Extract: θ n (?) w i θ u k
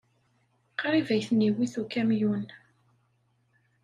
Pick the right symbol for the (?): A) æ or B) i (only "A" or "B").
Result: B